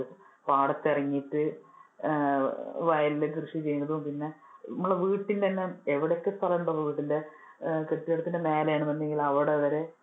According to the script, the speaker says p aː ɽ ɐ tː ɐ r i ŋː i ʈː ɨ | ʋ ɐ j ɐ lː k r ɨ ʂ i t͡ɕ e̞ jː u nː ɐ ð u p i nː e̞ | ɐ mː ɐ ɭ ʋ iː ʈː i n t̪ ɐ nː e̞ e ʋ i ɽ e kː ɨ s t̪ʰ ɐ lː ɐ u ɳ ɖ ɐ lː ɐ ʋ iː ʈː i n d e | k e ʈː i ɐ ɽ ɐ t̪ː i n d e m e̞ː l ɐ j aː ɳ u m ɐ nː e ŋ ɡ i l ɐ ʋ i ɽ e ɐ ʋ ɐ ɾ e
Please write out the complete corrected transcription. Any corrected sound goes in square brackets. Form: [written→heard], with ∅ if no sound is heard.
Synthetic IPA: p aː ɽ ɐ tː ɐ r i ŋː i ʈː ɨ | ʋ ɐ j ɐ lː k r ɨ ʂ i t͡ɕ e̞ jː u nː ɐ ð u p i nː e̞ | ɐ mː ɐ ɭ ʋ iː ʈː i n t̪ ɐ nː e̞ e ʋ i ɽ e kː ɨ s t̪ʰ ɐ [lː→l] ɐ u ɳ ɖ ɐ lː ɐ ʋ iː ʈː i n d e | k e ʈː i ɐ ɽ ɐ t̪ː i n d e m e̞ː l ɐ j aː ɳ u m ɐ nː e ŋ ɡ i l ɐ ʋ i ɽ e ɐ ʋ ɐ ɾ e